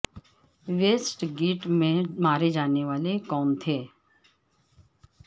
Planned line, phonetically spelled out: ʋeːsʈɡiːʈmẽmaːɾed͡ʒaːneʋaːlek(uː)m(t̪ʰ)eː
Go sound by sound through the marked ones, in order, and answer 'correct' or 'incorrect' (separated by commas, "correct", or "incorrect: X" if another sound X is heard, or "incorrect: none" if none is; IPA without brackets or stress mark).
incorrect: ɔː, correct